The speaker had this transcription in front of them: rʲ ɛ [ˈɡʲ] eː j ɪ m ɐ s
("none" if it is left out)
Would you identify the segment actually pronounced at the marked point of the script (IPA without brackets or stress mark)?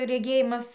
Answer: ɡʲ